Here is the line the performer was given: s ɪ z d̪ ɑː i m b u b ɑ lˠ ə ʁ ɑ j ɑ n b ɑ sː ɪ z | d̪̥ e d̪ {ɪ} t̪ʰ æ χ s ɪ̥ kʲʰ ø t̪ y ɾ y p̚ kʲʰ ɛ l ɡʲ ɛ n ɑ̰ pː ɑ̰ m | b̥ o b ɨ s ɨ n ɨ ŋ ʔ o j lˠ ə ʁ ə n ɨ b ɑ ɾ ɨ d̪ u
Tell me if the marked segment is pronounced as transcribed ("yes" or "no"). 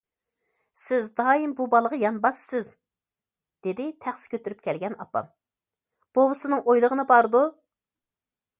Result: yes